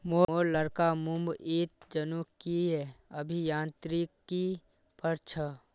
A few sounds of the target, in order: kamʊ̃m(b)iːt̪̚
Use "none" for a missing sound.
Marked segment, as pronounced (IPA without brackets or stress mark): b